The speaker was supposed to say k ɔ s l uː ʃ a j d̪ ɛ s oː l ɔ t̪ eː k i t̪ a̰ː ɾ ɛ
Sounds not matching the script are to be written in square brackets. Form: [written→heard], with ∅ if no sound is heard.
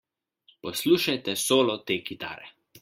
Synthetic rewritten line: [k→p] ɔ s l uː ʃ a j [d̪→t̪] ɛ s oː l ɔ t̪ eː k i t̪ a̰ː ɾ ɛ